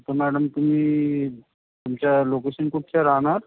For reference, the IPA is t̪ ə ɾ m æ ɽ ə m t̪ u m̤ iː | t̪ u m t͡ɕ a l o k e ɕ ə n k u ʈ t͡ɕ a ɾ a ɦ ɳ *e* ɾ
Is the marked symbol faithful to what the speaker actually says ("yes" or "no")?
no